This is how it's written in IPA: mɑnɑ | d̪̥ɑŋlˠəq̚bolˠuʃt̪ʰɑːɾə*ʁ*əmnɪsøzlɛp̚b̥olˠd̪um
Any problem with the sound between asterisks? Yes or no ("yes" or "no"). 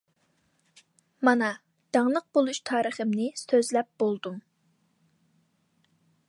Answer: yes